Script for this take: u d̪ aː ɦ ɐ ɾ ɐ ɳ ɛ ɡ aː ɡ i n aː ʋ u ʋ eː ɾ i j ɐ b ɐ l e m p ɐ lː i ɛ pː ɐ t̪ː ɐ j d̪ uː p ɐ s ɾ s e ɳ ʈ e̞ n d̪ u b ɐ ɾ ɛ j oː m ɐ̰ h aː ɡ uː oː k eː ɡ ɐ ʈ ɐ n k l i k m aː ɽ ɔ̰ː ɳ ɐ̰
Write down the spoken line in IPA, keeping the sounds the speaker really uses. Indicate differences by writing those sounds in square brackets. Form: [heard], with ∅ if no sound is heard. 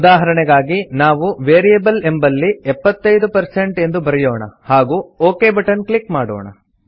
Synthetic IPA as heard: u d̪ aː ɦ ɐ ɾ ɐ ɳ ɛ ɡ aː ɡ i n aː ʋ u ʋ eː ɾ i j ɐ b ɐ l e m [b] ɐ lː i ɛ pː ɐ t̪ː ɐ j d̪ [u] p ɐ [∅] ɾ s e ɳ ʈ e̞ n d̪ u b ɐ ɾ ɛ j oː [ɳ] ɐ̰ h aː ɡ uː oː k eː [b] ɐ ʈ ɐ n k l i k m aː ɽ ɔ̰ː ɳ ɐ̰